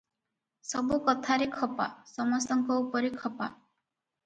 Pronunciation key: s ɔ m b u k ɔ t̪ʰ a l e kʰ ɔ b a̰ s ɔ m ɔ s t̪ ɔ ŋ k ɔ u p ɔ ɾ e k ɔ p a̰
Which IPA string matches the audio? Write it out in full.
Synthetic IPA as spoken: s ɔ b u k ɔ t̪ʰ a ɾ e kʰ ɔ p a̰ s ɔ m ɔ s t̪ ɔ ŋ k ɔ u p ɔ ɾ e kʰ ɔ p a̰